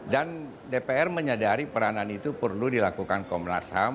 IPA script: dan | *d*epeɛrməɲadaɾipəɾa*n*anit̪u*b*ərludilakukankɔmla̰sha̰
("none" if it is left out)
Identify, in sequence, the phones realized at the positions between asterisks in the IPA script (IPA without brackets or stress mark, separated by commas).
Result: d, n, p